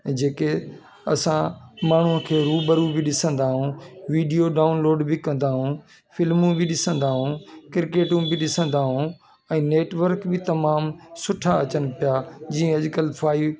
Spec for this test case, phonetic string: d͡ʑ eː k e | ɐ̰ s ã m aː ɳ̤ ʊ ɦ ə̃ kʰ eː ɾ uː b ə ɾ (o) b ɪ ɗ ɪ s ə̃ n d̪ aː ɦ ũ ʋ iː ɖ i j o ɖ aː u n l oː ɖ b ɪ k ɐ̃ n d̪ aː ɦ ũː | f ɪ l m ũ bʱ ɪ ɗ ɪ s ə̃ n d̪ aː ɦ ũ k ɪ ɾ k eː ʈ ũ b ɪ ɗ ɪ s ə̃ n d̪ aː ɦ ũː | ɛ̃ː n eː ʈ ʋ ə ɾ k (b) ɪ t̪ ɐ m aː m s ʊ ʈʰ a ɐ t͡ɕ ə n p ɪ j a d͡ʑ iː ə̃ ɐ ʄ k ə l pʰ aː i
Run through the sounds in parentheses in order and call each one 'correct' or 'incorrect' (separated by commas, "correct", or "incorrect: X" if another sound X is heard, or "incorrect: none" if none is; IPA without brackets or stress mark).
incorrect: u, correct